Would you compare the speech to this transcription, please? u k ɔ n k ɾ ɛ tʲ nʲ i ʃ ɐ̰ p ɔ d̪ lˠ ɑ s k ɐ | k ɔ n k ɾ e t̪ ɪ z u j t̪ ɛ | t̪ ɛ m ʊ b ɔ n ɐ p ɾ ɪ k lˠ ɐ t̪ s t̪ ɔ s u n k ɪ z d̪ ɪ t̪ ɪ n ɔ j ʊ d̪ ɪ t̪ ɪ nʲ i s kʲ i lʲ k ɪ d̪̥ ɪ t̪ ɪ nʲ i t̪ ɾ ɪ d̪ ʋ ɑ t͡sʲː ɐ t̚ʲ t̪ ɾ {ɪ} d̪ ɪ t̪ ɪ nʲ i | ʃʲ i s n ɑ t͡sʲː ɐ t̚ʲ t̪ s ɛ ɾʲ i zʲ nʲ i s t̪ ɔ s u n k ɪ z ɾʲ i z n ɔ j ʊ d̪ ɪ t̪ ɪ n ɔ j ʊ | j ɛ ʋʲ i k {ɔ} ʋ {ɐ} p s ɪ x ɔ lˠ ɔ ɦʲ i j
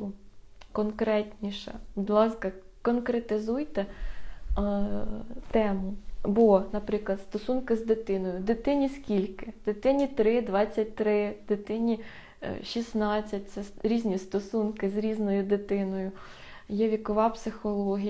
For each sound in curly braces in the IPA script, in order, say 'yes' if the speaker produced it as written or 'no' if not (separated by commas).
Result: yes, yes, no